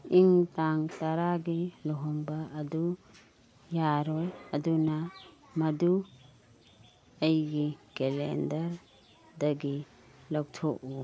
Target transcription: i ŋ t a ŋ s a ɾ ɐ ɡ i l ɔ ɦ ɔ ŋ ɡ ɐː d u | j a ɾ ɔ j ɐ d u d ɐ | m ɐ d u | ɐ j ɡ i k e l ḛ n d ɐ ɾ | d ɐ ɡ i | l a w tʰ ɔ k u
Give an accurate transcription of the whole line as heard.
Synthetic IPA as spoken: i ŋ t a ŋ t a ɾ a ɡ i l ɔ ɦ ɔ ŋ b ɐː d u | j a ɾ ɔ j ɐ d u n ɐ | m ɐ d u | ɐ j ɡ i k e l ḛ n d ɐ ɾ | d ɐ ɡ i | l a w tʰ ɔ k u